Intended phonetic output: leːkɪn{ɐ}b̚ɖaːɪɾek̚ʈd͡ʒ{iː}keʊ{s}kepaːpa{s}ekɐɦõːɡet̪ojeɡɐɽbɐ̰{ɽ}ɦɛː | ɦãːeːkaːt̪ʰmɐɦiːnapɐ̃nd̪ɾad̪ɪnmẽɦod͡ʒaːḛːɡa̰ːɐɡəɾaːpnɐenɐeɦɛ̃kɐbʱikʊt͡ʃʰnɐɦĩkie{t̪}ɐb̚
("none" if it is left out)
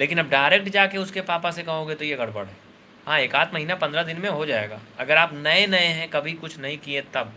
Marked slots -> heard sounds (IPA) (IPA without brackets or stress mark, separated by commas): ɐ, aː, s, s, ɽ, t̪